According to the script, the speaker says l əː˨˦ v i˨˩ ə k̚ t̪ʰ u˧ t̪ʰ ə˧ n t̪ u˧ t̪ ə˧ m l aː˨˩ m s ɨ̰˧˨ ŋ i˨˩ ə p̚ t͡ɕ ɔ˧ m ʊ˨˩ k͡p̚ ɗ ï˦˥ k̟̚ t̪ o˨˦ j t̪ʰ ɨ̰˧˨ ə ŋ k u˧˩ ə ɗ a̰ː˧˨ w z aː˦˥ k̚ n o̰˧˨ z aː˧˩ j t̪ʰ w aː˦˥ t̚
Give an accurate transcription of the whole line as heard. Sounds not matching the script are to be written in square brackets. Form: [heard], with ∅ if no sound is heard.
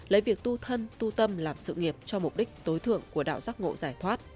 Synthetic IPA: l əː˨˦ v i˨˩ ə k̚ [t̪] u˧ t̪ʰ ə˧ n t̪ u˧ t̪ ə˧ m l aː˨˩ m s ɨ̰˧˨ ŋ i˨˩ ə p̚ t͡ɕ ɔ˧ m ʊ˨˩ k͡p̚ ɗ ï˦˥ k̟̚ t̪ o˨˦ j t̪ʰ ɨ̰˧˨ ə ŋ k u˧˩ ə ɗ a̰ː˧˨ w z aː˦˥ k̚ [ŋ] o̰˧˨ z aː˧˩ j t̪ʰ w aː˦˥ t̚